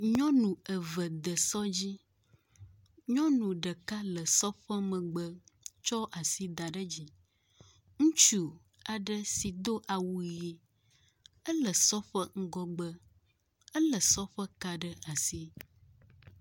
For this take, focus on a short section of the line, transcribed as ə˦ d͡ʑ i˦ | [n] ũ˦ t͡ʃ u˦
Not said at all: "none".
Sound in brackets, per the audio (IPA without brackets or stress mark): ŋ